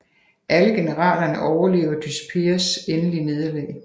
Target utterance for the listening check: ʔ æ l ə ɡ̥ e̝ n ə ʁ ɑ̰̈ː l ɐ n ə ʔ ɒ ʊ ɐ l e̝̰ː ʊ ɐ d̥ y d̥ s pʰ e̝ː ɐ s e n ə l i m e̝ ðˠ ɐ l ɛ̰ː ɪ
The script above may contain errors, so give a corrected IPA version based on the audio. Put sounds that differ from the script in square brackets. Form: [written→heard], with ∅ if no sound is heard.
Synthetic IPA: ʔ æ l ə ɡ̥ e̝ n ə ʁ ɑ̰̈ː l ɐ n ə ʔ ɒ ʊ ɐ l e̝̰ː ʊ ɐ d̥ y [d̥→∅] s pʰ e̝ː ɐ s e n ə l i [m→n] e̝ ðˠ ɐ l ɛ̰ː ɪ

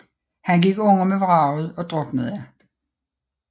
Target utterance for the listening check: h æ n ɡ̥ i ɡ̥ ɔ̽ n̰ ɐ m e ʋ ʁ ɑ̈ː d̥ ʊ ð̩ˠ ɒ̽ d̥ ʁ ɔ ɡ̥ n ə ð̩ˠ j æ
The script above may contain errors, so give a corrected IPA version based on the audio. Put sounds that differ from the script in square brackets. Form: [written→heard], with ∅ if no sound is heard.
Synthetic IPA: h æ n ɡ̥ i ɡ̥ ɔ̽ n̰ ɐ m e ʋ ʁ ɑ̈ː [d̥→∅] ʊ ð̩ˠ ɒ̽ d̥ ʁ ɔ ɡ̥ n ə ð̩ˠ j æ

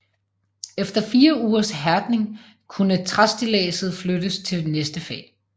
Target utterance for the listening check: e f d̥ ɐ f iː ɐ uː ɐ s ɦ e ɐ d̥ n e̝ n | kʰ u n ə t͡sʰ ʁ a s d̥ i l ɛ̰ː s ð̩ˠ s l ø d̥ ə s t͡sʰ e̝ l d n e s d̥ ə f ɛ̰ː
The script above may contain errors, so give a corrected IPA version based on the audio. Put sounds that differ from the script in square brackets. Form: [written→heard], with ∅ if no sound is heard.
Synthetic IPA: e f d̥ ɐ f iː ɐ uː ɐ s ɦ [e→æ] ɐ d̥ n e̝ [n→ŋ] | kʰ u n ə t͡sʰ ʁ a s d̥ i l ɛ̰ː s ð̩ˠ [s→f] l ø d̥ ə s t͡sʰ e̝ l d n e s d̥ ə f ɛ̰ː

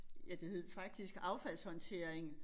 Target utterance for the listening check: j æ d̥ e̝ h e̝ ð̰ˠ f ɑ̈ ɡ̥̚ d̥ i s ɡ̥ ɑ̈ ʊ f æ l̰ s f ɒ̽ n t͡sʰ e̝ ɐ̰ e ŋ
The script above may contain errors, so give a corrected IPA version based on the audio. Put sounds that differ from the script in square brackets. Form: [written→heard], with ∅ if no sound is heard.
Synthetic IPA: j æ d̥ e̝ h e̝ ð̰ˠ f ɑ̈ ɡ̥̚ d̥ i s ɡ̥ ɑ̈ ʊ f æ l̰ s [f→h] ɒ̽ n t͡sʰ e̝ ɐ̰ e ŋ

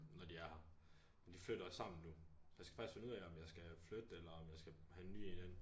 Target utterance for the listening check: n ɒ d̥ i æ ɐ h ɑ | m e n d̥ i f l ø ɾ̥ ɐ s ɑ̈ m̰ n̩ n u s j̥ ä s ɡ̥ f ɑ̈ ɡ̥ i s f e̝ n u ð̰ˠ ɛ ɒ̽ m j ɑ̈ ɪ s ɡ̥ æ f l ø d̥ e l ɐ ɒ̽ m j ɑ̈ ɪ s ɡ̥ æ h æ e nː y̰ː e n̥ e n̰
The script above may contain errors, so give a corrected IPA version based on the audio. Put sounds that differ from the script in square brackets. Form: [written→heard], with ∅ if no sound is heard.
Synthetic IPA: n ɒ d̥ i æ ɐ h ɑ | m e n d̥ i f l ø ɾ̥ ɐ s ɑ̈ m̰ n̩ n u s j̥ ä s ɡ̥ f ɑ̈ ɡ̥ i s f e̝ n u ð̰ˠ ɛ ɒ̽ m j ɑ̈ ɪ s ɡ̥ æ f l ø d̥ e l ɐ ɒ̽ m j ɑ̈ ɪ s ɡ̥ æ h æ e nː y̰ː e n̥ e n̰

